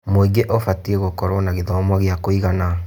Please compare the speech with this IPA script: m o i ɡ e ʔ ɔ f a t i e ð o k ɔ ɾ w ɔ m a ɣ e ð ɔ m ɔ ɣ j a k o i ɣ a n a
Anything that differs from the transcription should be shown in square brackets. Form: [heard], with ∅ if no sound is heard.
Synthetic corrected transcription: m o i ɡ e ʔ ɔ f a t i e [ɣ] o k ɔ ɾ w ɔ [n] a ɣ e ð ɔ m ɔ ɣ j a k o i ɣ a n a